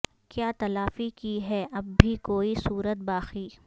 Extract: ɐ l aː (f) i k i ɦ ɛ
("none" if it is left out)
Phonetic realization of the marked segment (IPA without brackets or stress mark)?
f